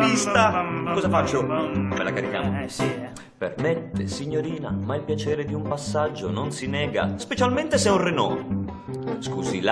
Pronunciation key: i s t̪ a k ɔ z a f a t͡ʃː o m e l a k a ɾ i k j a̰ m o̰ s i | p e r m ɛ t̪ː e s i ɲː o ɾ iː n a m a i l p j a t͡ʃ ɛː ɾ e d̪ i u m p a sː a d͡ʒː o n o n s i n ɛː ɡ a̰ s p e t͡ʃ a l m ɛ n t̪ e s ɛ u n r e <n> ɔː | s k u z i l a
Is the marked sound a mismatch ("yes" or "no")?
no